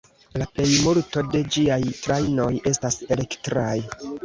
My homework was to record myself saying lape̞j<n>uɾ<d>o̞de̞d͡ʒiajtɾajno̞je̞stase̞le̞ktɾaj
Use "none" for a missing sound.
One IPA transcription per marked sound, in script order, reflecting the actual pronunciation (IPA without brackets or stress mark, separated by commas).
m, t